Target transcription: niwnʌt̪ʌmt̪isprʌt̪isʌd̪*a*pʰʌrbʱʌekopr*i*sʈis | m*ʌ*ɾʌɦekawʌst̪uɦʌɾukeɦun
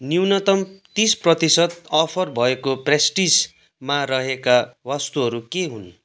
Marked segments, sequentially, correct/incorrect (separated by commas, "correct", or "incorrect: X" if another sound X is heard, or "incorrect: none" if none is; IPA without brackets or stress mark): incorrect: ʌ, incorrect: e, incorrect: a